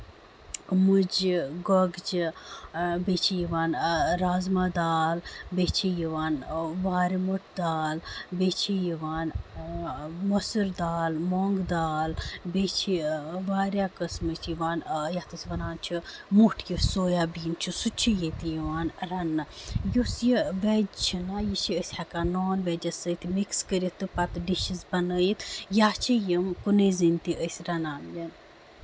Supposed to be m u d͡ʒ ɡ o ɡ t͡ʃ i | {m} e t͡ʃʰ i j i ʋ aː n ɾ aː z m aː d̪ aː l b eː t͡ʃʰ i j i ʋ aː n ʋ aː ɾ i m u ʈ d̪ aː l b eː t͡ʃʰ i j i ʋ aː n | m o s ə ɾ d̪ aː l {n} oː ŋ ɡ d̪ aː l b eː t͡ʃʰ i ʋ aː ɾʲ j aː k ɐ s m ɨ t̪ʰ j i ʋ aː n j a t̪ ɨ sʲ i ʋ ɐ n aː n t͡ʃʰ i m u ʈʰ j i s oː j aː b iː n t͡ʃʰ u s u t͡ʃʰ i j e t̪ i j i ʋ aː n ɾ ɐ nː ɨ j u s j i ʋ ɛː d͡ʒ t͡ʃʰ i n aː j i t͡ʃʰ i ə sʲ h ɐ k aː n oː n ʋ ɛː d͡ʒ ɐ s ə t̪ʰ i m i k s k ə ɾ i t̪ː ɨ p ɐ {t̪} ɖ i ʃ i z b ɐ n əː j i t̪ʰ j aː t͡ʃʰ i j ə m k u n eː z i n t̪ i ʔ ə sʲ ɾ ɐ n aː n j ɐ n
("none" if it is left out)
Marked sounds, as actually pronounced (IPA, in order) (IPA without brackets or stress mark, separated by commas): b, m, t̪